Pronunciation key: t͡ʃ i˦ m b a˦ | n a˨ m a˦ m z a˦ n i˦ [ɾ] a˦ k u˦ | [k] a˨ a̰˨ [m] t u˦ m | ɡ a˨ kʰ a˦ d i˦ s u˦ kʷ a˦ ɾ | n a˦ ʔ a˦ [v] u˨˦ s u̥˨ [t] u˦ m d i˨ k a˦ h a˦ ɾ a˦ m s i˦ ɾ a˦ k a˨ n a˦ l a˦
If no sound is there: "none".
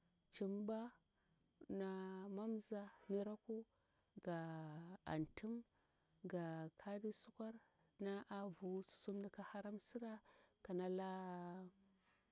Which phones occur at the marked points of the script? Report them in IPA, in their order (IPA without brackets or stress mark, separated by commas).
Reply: ɾ, ɡ, n, v, s